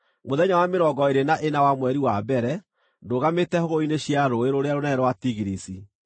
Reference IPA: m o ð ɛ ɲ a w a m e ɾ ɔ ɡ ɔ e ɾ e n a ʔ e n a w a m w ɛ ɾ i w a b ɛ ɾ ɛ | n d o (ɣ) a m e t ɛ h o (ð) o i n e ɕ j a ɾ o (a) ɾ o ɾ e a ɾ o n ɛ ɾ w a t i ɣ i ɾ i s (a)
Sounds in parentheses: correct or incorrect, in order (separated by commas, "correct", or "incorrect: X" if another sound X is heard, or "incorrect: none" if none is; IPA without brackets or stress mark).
correct, incorrect: ɣ, incorrect: e, incorrect: i